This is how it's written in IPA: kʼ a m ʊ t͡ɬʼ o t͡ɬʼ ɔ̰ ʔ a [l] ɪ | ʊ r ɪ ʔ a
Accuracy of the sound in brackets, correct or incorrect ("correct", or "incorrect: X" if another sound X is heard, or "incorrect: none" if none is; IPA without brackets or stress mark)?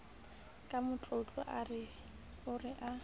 incorrect: r